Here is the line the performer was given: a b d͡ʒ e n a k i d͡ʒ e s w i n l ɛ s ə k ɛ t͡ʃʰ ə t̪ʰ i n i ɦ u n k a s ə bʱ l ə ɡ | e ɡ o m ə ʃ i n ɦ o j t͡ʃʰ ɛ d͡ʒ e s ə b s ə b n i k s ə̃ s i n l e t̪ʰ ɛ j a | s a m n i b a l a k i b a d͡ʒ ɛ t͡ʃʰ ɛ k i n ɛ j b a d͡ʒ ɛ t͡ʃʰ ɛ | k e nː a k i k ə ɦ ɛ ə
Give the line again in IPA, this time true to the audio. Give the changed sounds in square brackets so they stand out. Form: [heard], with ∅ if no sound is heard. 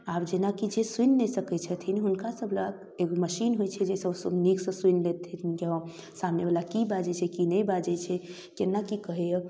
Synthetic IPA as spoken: a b d͡ʒ e n a k i d͡ʒ e s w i n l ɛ s ə k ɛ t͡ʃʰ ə t̪ʰ i n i ɦ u n k a s ə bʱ l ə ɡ | e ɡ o m ə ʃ i n ɦ o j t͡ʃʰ ɛ d͡ʒ e s ə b s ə b n i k s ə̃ s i n l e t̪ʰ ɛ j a | s a m n [e] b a l a k i b a d͡ʒ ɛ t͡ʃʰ ɛ k i n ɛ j b a d͡ʒ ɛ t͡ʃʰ ɛ | k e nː a k i k ə ɦ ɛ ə